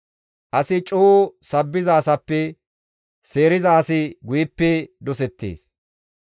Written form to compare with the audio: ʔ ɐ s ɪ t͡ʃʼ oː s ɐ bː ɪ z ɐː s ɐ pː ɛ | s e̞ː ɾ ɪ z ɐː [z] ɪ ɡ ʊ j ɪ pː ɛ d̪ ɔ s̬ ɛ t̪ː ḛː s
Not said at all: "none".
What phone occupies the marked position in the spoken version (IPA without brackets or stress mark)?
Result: s